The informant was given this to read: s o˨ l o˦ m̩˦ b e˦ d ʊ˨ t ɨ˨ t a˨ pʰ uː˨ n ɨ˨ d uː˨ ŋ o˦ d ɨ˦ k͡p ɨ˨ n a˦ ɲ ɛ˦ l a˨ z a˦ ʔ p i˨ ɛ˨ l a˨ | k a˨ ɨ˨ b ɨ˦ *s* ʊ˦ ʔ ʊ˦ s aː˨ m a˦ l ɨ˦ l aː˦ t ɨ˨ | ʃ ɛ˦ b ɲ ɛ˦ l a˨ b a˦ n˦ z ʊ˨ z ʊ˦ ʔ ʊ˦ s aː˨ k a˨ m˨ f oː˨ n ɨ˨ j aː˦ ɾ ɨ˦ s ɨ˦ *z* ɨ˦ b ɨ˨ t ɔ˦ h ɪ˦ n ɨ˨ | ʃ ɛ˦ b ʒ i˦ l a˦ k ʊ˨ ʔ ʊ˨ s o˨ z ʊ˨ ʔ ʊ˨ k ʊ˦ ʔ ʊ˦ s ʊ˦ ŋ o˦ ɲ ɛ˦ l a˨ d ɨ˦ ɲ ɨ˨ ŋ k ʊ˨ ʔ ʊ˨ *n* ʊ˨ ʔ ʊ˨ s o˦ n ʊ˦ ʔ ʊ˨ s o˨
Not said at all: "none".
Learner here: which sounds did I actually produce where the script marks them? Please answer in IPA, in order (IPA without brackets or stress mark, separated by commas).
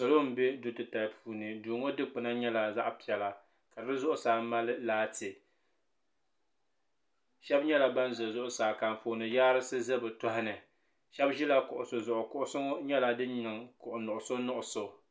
z, z, n